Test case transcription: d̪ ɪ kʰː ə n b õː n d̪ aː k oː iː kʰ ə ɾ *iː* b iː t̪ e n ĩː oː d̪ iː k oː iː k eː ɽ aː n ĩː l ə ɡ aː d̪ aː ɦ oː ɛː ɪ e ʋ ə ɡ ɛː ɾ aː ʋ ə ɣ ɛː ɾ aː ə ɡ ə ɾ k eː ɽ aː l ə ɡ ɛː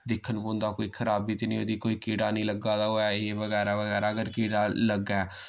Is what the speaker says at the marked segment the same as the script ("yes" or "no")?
no